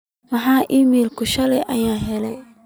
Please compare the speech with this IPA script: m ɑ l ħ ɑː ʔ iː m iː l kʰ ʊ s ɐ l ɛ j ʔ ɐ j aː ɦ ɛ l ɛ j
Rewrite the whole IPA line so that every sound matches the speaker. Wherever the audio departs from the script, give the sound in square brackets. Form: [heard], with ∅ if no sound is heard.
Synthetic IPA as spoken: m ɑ [∅] ħ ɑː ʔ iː m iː l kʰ ʊ [ʃ] ɐ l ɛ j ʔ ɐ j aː ɦ ɛ l ɛ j

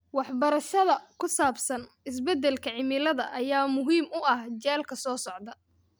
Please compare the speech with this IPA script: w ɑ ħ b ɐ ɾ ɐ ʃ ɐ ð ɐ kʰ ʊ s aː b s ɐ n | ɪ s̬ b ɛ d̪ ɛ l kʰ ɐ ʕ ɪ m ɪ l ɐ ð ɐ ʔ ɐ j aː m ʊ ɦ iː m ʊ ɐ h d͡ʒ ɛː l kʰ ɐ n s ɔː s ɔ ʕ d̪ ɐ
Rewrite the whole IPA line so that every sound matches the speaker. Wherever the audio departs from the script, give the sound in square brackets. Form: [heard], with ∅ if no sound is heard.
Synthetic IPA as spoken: w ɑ ħ b ɐ ɾ ɐ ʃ ɐ ð ɐ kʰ ʊ s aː b s ɐ n | ɪ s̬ b ɛ d̪ ɛ l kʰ ɐ ʕ ɪ m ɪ l ɐ ð ɐ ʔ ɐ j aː m ʊ ɦ iː m ʊ ɐ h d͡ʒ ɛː l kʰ ɐ [∅] s ɔː s ɔ ʕ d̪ ɐ

